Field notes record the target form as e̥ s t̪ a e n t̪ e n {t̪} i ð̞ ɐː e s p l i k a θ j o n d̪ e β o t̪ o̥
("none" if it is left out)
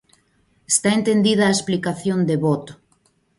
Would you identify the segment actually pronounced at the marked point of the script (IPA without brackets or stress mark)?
d̪